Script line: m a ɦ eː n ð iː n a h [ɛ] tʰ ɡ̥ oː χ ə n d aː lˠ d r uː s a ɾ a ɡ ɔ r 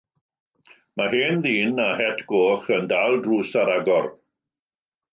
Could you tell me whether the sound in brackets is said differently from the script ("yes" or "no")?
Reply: no